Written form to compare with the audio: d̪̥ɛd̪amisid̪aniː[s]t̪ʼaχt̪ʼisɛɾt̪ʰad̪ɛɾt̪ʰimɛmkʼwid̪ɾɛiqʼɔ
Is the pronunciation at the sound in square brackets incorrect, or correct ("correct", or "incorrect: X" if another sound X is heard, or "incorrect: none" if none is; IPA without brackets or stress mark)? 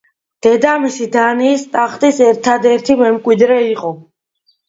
correct